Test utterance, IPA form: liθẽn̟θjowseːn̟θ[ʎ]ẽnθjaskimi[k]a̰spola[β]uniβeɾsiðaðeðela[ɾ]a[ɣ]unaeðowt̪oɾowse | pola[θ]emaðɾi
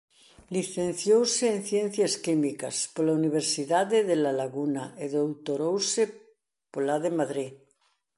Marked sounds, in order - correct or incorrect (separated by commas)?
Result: incorrect, correct, incorrect, incorrect, correct, incorrect